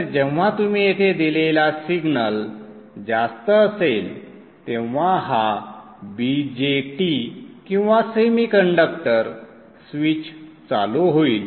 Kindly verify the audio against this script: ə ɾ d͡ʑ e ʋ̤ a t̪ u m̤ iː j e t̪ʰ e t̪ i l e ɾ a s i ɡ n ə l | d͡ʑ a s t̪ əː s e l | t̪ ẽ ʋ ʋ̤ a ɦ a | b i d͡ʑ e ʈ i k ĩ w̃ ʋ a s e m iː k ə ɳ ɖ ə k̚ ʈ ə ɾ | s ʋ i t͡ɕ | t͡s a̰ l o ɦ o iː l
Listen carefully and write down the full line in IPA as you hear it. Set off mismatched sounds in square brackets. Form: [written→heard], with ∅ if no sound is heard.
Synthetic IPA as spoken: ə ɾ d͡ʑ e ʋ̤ a t̪ u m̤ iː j e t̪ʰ e [t̪→d̪] i l e [ɾ→l] a s i ɡ n ə l | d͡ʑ a s t̪ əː s e l | t̪ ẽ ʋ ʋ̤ a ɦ a | b i d͡ʑ e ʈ i k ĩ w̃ ʋ a s e m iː k ə ɳ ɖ ə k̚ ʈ ə ɾ | s ʋ i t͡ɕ | t͡s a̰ l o ɦ o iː l